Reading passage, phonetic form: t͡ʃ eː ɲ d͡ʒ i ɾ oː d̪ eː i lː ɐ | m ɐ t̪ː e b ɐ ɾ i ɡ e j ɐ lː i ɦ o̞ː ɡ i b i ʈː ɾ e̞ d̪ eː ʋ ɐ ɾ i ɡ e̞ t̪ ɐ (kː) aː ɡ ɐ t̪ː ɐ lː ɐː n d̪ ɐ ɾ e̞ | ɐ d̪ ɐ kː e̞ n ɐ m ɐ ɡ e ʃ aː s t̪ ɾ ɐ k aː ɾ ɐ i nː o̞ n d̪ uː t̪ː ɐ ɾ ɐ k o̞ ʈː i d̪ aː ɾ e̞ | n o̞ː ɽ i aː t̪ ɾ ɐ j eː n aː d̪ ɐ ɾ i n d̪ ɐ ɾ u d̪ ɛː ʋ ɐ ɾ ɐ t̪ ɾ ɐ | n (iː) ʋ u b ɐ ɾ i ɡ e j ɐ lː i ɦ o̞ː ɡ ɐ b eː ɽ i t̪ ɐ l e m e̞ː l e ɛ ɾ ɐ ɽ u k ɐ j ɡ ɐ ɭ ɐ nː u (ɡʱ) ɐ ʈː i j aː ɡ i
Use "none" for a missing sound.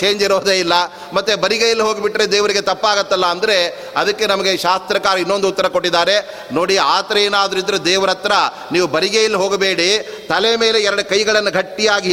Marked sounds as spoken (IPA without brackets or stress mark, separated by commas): pː, iː, ɡʱ